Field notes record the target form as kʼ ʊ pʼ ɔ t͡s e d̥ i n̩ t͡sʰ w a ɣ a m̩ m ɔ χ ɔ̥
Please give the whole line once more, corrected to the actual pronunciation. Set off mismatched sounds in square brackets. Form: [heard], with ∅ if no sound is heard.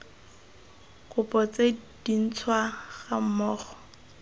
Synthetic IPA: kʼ ʊ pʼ ɔ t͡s e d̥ i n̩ t͡sʰ w a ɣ a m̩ m [ɔː] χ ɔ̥